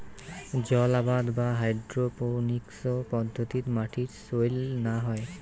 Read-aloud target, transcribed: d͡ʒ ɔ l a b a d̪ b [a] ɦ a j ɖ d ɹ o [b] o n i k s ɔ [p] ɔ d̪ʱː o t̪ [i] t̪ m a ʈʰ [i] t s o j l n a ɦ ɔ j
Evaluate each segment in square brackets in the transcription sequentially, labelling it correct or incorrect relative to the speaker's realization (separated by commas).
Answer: correct, incorrect, correct, correct, correct